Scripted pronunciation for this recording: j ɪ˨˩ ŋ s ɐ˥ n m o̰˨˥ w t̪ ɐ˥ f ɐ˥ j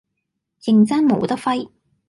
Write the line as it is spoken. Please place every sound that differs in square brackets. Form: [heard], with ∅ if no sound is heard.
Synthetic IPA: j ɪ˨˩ ŋ [t͡s] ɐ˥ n m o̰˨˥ w t̪ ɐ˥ f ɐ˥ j